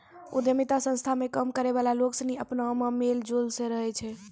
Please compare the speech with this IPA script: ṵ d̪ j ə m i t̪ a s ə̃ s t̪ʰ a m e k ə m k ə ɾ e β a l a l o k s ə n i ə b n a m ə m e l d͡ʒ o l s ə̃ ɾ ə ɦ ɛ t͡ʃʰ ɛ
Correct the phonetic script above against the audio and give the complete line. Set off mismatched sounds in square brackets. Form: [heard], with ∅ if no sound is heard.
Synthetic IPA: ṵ d̪ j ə m i t̪ a s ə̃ s t̪ʰ a m e k ə m k ə ɾ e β a l a l o k s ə n i ə [p] n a m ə m e l d͡ʒ o l s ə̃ ɾ ə ɦ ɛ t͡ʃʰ ɛ